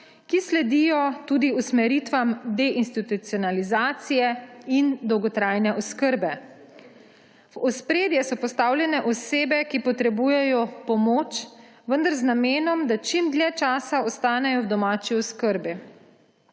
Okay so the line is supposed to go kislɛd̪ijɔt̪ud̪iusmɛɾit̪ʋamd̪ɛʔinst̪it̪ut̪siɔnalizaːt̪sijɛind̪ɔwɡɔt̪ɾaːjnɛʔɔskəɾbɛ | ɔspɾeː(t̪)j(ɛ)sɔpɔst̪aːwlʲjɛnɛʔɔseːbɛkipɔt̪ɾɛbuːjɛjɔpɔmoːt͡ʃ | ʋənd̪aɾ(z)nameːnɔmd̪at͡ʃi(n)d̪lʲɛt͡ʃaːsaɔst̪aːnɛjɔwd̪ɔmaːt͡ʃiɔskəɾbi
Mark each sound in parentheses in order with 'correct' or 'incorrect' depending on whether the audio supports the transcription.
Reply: incorrect, correct, correct, incorrect

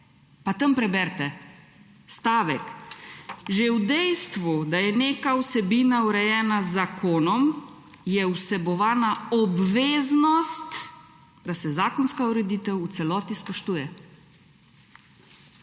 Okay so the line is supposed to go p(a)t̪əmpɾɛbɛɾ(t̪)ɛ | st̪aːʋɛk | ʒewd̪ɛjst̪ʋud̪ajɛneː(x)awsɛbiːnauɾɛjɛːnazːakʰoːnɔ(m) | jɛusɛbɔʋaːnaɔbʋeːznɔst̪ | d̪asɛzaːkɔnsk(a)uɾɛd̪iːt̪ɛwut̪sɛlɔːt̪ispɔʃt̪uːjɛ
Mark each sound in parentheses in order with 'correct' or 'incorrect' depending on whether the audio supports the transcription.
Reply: correct, correct, incorrect, correct, correct

